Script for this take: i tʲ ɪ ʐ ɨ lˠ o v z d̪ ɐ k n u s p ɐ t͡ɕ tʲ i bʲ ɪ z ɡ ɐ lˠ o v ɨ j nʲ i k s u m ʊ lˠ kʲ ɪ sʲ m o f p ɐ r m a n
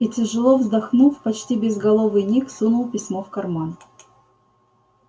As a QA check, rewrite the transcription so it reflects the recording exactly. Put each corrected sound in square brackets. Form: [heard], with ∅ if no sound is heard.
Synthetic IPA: i tʲ ɪ ʐ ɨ lˠ o v z d̪ ɐ [x] n u [f] p ɐ t͡ɕ tʲ i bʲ ɪ z ɡ ɐ lˠ o v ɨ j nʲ i k s u [n] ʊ lˠ [pʲ] ɪ sʲ m o f [k] ɐ r m a n